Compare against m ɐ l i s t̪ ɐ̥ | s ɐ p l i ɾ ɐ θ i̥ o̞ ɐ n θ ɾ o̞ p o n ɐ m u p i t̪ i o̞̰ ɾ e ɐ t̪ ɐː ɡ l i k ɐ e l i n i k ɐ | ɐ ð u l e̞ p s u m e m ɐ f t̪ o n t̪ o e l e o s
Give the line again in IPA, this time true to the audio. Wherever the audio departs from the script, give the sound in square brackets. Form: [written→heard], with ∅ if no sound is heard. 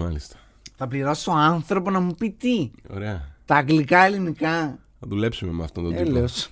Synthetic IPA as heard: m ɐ l i s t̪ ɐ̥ | [s→θ] ɐ p l i ɾ ɐ [θ→s] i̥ o̞ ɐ n θ ɾ o̞ p o n ɐ m u p i t̪ i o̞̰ ɾ e ɐ t̪ ɐː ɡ l i k ɐ e l i n i k ɐ | ɐ ð u l e̞ p s u m e m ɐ f t̪ o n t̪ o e l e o s